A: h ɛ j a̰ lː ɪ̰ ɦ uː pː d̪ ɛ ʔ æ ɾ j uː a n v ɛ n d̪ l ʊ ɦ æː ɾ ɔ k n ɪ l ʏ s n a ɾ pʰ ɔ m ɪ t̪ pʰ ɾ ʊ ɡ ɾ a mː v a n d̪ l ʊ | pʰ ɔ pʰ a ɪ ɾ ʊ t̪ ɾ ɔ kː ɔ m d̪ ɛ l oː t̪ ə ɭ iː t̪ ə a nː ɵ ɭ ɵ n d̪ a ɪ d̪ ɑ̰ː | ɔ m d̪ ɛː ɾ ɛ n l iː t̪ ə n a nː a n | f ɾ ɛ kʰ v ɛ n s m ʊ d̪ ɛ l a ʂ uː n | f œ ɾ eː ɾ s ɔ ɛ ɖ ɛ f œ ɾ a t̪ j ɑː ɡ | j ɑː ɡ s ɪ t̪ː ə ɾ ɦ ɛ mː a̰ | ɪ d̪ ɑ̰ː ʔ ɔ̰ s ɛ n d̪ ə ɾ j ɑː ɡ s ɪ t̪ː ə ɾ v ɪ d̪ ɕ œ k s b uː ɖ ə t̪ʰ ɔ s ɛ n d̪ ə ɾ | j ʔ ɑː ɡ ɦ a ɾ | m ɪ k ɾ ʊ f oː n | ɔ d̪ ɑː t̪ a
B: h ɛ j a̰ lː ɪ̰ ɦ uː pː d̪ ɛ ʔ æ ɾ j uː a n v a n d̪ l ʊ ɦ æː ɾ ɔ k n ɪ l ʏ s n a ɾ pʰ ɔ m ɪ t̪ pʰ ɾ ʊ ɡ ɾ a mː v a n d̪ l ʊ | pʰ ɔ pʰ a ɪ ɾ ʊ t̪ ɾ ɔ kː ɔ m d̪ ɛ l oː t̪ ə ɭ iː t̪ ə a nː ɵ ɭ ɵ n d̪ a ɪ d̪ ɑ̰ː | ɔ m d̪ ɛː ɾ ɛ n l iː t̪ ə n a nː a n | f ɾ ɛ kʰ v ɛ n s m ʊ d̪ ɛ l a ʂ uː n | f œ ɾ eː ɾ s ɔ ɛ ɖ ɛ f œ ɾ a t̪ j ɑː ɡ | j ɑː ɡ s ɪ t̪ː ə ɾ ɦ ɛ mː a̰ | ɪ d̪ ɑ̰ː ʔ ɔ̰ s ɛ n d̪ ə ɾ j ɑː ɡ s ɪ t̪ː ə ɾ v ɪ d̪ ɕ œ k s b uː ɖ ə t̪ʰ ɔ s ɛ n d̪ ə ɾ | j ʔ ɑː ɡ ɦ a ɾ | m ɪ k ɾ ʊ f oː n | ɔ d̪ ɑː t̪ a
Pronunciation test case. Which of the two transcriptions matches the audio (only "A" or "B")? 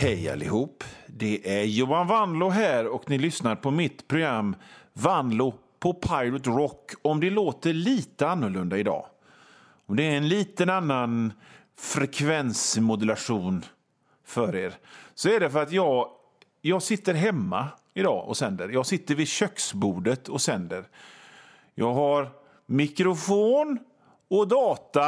B